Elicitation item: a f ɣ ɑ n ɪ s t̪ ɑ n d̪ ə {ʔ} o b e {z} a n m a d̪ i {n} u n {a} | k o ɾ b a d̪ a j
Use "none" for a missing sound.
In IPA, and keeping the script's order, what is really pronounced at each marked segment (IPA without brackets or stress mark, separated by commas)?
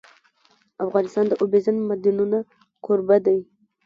ʔ, z, n, a